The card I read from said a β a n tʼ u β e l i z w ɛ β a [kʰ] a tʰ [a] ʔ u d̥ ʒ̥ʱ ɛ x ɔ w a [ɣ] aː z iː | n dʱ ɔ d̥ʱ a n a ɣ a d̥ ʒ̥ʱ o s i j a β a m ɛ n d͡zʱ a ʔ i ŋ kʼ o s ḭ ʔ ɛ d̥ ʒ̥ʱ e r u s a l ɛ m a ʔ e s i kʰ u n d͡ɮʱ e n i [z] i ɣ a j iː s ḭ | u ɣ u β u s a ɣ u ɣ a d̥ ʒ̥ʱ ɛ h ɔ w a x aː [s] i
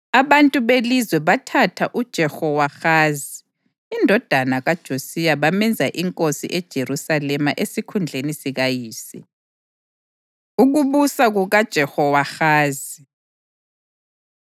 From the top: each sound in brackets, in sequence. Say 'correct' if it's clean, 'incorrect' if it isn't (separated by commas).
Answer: incorrect, correct, incorrect, incorrect, incorrect